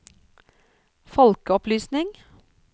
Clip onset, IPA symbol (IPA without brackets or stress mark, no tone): f